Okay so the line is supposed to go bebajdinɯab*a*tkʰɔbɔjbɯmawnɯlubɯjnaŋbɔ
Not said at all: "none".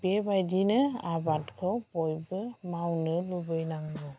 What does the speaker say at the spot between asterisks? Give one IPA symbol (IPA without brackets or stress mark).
a